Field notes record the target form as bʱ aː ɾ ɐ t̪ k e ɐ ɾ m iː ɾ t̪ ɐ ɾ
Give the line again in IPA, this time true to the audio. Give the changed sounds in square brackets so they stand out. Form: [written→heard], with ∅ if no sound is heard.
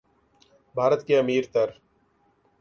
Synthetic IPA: bʱ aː ɾ [ɐ→ə] t̪ k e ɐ [ɾ→∅] m iː ɾ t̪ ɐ ɾ